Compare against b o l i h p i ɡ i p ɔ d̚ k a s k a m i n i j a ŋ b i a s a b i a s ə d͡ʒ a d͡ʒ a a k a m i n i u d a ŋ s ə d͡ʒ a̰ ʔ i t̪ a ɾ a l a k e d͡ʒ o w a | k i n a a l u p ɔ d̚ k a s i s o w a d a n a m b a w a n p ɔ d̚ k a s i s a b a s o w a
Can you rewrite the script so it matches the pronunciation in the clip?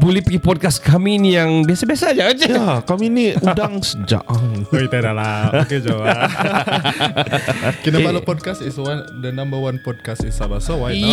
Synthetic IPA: b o l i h p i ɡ i p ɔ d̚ k a s k a m i n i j a ŋ b i a s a b i a s a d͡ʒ a d͡ʒ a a k a m i n i u d a ŋ s ə d͡ʒ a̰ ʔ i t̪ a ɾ a l a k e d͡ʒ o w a | k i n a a l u p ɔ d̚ k a s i s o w a d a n a m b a w a n p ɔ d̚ k a s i s a b a s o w a